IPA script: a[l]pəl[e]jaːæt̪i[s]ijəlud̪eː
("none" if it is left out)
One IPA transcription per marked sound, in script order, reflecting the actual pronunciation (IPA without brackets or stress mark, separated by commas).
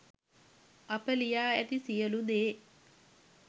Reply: none, i, s